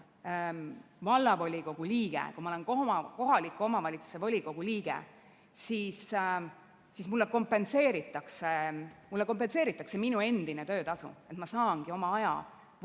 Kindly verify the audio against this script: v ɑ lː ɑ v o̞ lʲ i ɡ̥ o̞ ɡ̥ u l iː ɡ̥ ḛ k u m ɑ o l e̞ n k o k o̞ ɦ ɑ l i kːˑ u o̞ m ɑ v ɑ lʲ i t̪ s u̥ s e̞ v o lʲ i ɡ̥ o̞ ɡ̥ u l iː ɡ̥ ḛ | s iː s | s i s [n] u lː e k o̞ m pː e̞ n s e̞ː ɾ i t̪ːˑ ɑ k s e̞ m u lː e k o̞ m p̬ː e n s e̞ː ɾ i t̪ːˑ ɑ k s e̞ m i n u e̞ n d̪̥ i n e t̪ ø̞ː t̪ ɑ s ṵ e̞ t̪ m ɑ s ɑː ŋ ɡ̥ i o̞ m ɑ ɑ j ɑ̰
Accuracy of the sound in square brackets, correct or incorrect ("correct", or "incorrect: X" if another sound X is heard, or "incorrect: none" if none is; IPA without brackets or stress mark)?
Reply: incorrect: m